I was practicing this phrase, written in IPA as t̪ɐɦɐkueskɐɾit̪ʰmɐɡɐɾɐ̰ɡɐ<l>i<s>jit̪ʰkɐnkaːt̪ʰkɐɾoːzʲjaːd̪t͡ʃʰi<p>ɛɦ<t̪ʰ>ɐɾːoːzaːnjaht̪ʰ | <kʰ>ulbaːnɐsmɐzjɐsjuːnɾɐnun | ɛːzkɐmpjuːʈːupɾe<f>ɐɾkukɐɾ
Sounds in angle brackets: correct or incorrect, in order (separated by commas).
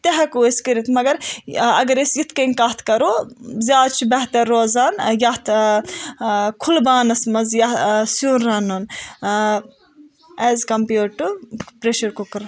incorrect, correct, incorrect, incorrect, correct, incorrect